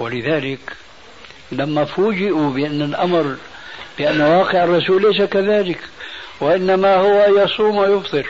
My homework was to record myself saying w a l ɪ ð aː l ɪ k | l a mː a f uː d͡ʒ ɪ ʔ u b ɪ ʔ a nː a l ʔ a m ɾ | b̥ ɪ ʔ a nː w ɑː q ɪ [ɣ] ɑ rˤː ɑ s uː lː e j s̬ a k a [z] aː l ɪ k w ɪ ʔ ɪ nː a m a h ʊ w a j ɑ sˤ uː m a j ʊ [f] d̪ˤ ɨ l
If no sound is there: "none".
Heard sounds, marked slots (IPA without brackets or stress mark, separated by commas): ʕ, ð, f